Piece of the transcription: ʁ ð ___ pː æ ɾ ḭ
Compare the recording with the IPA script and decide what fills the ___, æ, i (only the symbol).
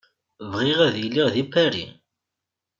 i